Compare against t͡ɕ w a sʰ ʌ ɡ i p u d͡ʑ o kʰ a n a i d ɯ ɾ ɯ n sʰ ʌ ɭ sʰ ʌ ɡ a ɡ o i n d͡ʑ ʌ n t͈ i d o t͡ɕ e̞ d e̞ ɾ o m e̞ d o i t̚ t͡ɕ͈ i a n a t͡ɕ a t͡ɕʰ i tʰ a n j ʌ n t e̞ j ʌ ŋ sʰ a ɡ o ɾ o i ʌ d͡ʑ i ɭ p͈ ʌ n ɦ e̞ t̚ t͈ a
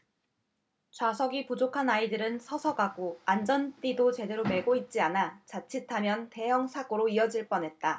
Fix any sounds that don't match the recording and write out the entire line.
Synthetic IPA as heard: t͡ɕ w a sʰ ʌ ɡ i p u d͡ʑ o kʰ a n a i d ɯ ɾ ɯ n sʰ ʌ sʰ ʌ ɡ a ɡ o a n d͡ʑ ʌ n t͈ i d o t͡ɕ e̞ d e̞ ɾ o m e̞ ɡ o i t̚ t͡ɕ͈ i a n a t͡ɕ a t͡ɕʰ i tʰ a m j ʌ n t e̞ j ʌ ŋ sʰ a ɡ o ɾ o i ʌ d͡ʑ i ɭ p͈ ʌ n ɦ e̞ t̚ t͈ a